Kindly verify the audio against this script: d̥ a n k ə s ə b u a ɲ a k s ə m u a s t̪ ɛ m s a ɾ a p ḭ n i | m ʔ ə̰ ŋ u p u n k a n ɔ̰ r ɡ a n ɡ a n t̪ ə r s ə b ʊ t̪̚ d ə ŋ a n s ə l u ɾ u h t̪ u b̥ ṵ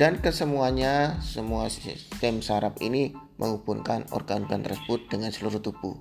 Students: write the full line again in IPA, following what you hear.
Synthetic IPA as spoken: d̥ a n k ə s ə m u a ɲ a s ə m u a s t̪ ɛ m s a ɾ a p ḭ n i | m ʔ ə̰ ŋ u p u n k a n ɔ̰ r ɡ a n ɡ a n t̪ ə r s ə b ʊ t̪̚ d ə ŋ a n s ə l u ɾ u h t̪ u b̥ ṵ